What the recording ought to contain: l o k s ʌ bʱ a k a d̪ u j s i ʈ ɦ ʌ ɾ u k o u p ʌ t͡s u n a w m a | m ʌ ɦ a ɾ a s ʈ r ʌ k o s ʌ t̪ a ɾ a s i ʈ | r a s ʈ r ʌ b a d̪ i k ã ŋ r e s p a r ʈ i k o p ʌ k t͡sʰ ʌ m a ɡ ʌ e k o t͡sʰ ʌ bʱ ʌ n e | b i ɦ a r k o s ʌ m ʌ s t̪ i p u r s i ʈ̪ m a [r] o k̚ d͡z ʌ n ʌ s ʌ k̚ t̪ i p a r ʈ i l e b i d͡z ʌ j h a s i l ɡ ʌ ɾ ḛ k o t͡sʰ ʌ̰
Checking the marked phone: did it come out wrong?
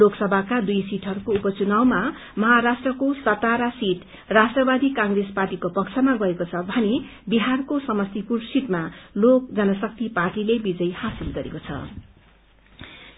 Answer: yes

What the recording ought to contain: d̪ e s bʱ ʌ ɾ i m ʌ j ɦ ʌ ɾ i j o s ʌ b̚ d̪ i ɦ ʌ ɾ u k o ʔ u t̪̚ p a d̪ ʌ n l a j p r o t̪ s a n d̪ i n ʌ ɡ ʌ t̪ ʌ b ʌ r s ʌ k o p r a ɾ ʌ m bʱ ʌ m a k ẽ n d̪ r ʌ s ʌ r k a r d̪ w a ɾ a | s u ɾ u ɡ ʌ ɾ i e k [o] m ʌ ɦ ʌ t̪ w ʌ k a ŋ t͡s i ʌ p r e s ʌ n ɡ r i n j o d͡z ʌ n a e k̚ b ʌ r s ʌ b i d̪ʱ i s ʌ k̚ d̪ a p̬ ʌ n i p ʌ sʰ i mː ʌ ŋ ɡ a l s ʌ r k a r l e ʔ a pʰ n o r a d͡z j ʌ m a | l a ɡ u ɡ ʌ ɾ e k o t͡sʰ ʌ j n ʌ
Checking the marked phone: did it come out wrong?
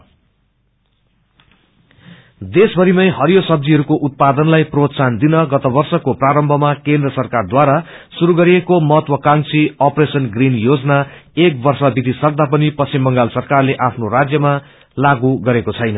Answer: no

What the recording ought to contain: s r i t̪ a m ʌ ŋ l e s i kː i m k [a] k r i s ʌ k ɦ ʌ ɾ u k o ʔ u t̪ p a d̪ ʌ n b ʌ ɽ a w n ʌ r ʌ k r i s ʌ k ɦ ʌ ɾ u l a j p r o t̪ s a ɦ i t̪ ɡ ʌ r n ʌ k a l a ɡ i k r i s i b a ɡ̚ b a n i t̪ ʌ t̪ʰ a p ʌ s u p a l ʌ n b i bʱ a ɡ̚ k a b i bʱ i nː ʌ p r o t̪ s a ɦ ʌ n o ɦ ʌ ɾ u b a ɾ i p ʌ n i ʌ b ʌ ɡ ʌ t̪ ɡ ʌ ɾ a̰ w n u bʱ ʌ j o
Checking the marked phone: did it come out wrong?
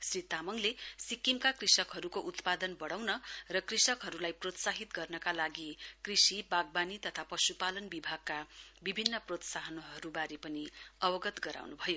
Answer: no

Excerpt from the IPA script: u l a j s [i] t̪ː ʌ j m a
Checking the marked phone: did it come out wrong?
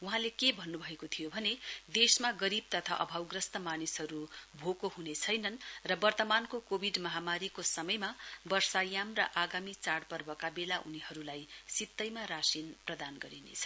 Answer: no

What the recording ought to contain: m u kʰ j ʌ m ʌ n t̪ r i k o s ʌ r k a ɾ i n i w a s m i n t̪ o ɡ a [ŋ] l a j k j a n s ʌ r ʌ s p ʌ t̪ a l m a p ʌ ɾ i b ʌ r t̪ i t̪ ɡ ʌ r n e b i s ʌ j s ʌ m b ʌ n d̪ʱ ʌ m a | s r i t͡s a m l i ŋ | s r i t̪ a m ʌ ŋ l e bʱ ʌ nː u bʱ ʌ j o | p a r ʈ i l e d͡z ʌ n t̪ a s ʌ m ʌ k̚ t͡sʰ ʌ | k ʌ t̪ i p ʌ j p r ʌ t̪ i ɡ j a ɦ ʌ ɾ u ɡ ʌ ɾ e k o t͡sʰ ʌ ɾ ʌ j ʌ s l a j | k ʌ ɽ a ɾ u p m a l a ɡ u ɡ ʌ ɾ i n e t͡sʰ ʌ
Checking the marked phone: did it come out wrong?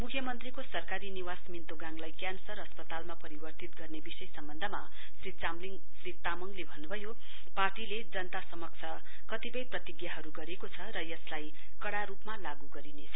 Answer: no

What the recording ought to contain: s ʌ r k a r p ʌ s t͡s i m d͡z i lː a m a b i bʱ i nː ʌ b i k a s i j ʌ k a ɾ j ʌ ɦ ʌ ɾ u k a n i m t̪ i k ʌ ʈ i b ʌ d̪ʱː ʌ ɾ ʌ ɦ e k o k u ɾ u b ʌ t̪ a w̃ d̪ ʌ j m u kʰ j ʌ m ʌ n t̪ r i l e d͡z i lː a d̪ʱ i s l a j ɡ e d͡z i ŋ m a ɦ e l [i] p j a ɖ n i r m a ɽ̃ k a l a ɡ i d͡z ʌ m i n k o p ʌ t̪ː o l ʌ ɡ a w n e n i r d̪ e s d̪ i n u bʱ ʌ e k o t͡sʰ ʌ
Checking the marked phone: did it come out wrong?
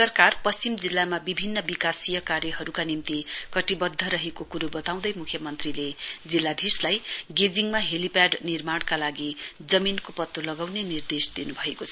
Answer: no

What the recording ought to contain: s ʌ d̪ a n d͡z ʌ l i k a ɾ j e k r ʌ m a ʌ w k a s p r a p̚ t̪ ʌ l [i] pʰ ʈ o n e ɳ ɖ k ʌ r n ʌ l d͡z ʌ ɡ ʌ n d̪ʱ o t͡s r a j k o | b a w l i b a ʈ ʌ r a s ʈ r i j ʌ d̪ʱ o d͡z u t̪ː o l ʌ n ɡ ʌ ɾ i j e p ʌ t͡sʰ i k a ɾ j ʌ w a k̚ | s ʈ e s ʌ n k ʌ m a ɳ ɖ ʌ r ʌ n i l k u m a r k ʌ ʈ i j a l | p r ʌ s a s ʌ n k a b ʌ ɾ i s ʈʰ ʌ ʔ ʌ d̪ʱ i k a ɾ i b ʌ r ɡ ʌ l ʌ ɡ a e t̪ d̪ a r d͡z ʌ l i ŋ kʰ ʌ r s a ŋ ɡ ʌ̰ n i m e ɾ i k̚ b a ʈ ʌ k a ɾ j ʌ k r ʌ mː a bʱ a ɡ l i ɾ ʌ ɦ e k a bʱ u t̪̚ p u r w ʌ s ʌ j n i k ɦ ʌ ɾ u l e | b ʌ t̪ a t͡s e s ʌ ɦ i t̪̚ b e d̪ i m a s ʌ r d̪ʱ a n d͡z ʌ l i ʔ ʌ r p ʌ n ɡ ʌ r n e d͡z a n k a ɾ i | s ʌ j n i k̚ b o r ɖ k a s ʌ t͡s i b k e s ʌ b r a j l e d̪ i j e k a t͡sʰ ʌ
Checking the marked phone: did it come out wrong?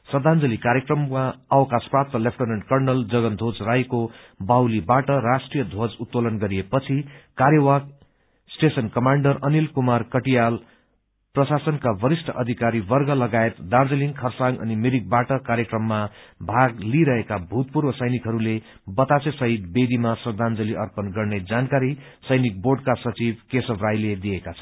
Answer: yes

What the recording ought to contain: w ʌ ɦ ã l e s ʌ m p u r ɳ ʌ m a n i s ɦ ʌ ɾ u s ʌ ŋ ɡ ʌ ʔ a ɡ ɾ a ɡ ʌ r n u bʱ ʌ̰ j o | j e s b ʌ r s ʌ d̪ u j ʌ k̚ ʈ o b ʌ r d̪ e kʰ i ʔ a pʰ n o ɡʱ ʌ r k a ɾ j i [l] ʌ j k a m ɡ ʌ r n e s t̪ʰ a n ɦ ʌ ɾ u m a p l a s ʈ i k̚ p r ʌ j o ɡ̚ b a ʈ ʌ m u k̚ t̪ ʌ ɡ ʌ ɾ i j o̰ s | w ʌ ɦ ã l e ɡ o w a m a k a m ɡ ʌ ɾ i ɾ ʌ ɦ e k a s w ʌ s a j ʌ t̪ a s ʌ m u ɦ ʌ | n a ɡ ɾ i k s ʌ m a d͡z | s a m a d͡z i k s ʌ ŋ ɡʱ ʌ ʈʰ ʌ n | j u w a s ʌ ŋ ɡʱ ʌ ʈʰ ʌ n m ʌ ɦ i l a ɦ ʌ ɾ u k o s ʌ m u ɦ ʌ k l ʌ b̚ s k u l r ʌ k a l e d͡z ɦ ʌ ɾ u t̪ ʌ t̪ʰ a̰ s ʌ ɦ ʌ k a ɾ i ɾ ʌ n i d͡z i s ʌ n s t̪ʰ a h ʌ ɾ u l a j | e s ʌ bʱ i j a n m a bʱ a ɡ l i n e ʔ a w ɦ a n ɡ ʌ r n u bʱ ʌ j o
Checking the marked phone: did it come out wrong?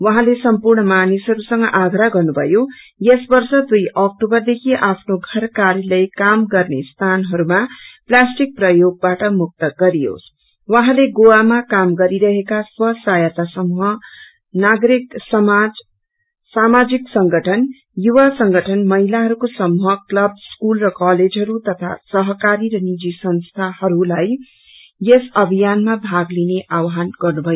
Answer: no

